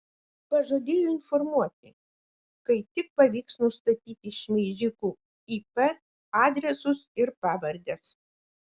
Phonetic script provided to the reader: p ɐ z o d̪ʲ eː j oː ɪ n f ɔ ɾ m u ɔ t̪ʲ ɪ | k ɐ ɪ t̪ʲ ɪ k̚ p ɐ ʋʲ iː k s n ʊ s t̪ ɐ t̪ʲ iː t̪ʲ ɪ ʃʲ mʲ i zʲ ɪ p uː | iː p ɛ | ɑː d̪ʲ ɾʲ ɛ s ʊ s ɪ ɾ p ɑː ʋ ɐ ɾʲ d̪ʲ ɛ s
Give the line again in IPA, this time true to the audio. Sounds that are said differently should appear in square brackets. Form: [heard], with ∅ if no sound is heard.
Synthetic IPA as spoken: p ɐ [ʒ] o d̪ʲ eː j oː ɪ n f ɔ ɾ m u ɔ t̪ʲ ɪ | k ɐ ɪ t̪ʲ ɪ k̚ p ɐ ʋʲ iː k s n ʊ s t̪ ɐ t̪ʲ iː t̪ʲ ɪ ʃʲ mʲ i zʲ ɪ [k] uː | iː p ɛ | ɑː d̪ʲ ɾʲ ɛ s ʊ s ɪ ɾ p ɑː ʋ ɐ ɾʲ d̪ʲ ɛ s